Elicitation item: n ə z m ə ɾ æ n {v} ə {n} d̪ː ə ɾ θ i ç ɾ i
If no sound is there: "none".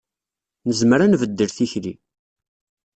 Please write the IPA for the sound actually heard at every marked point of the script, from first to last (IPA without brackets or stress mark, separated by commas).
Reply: v, none